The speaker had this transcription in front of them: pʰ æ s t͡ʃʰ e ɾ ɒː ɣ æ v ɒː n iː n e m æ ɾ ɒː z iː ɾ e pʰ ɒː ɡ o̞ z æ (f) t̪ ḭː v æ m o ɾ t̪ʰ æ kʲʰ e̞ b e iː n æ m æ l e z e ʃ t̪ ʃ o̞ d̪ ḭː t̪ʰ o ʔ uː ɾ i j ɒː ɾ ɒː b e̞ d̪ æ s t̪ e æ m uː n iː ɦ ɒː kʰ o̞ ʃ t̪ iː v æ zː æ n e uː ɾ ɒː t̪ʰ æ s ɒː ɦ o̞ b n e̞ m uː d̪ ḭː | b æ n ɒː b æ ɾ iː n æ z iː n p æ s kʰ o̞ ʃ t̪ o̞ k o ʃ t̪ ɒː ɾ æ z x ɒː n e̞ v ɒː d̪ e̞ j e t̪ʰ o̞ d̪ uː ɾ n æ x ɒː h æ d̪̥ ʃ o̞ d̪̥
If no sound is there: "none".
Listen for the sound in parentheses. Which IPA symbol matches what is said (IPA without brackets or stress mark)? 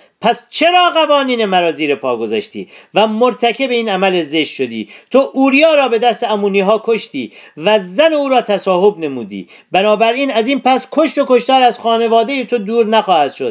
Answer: ʃ